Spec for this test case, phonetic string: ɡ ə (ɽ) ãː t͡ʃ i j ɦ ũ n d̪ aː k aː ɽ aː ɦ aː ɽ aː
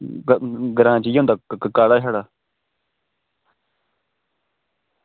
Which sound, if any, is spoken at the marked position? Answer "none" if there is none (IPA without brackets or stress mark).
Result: ɾ